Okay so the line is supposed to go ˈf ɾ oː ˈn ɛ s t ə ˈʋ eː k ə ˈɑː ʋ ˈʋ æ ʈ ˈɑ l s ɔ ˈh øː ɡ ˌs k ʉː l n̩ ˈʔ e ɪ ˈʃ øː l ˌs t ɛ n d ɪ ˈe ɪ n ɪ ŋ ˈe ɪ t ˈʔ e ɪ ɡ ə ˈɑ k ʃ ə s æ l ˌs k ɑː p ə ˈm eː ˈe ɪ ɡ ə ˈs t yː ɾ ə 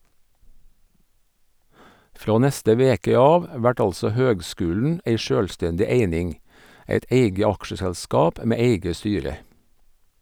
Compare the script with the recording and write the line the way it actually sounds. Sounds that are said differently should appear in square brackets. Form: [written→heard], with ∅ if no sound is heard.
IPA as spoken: ˈf ɾ oː ˈn ɛ s t ə ˈʋ eː k ə ˈɑː ʋ ˈʋ æ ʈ ˈɑ l s ɔ ˈh øː ɡ ˌs k ʉː l n̩ ˈʔ e ɪ ˈʃ øː l ˌs t ɛ n d ɪ ˈe ɪ n ɪ ŋ ˈe ɪ t ˈʔ e ɪ ɡ ə ˈɑ k ʃ ə s æ l ˌs k ɑː p ə ˈm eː ˈe ɪ ɡ ə ˈs t yː ɾ ə

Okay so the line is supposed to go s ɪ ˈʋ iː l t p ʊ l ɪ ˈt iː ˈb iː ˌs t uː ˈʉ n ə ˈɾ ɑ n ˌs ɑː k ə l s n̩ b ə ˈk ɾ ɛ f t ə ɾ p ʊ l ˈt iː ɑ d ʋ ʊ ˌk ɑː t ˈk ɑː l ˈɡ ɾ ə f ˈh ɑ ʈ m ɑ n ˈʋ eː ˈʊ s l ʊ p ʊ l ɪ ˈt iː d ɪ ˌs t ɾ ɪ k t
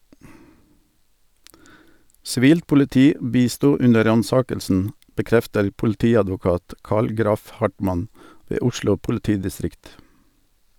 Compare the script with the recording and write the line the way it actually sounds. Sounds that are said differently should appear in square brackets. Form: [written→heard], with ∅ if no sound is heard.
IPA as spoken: s ɪ ˈʋ iː l t p ʊ l ɪ ˈt iː ˈb iː ˌs t uː ˈʉ n ə ˈɾ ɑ n ˌs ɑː k ə l s n̩ b ə ˈk ɾ ɛ f t ə ɾ p ʊ l ˈt iː ɑ d ʋ ʊ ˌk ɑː t ˈk ɑː l ˈɡ ɾ [ə→ɑ] f ˈh ɑ ʈ m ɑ n ˈʋ eː ˈʊ [s→ʃ] l ʊ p ʊ l ɪ ˈt iː d ɪ ˌs t ɾ ɪ k t

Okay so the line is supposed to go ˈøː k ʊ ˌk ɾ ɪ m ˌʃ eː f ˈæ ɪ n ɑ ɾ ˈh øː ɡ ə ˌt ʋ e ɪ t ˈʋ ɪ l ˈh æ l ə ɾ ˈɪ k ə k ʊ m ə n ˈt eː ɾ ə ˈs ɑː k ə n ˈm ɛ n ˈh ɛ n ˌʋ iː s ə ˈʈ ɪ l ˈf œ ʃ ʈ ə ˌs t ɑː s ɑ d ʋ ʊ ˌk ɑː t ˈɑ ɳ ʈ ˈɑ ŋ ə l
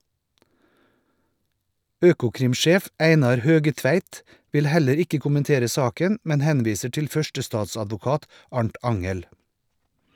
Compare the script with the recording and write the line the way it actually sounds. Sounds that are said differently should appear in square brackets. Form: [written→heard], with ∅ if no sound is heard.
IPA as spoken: ˈøː k ʊ ˌk ɾ ɪ m ˌʃ eː f ˈæ ɪ n ɑ ɾ ˈh øː ɡ ə ˌt ʋ [e→æ] ɪ t ˈʋ ɪ l ˈh æ l ə ɾ ˈɪ k ə k ʊ m ə n ˈt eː ɾ ə ˈs ɑː k ə n ˈm ɛ n ˈh ɛ n ˌʋ iː s ə ˈʈ ɪ l ˈf œ ʃ ʈ ə ˌs t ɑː s ɑ d ʋ ʊ ˌk ɑː t ˈɑ ɳ ʈ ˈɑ ŋ ə l

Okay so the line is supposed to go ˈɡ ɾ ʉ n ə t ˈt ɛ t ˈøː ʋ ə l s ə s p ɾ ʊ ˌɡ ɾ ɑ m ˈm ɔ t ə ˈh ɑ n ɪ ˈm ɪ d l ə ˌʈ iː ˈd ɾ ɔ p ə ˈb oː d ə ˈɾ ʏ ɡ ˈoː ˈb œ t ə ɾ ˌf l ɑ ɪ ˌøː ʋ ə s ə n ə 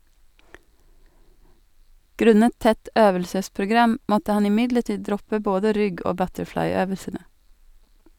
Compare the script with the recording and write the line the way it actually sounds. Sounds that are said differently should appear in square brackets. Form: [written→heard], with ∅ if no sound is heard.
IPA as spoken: ˈɡ ɾ ʉ n ə t ˈt ɛ t ˈøː ʋ ə l s ə s p ɾ ʊ ˌɡ ɾ ɑ m ˈm ɔ t ə ˈh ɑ n ɪ ˈm ɪ d l ə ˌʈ iː ˈd ɾ ɔ p ə ˈb oː d ə ˈɾ ʏ ɡ ˈoː ˈb œ t ə ɾ ˌf l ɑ ɪ ˌøː ʋ ə s ə n ə

